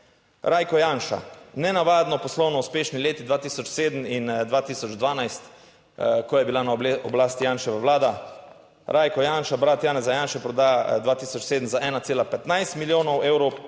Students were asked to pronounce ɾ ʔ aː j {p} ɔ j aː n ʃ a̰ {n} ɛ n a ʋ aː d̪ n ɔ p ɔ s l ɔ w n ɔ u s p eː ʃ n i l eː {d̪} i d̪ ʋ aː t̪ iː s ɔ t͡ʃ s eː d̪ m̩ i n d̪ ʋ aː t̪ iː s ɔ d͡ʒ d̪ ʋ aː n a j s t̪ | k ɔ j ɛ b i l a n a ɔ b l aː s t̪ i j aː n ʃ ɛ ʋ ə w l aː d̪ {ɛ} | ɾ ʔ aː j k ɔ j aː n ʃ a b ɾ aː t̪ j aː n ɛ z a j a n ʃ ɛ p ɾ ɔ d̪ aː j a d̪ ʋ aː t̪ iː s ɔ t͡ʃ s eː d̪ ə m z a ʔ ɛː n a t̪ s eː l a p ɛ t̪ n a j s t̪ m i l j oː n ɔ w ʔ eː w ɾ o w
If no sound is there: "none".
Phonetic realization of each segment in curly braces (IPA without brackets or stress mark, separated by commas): k, n, t̪, a